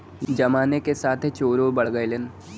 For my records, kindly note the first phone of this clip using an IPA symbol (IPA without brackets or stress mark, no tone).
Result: d͡ʒ